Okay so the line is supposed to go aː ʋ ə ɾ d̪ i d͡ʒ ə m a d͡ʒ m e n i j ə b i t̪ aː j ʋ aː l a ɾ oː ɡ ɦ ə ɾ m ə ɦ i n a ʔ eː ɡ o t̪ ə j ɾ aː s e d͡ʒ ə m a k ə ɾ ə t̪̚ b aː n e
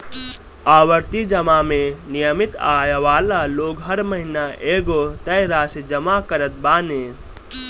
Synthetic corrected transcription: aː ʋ ə ɾ t̪ i d͡ʒ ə m a m e n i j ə m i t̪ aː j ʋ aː l a l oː ɡ ɦ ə ɾ m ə ɦ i n a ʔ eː ɡ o t̪ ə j ɾ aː s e d͡ʒ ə m a k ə ɾ ə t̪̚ b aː n e